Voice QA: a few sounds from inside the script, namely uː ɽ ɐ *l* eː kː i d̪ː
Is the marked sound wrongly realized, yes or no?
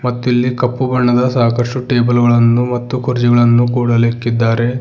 no